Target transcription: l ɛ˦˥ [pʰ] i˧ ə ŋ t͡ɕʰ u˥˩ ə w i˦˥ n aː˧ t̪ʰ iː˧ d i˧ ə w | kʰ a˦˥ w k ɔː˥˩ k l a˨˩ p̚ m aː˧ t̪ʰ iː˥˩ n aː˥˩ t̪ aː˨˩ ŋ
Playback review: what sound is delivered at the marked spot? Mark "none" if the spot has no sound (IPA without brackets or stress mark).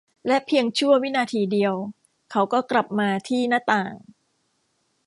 pʰ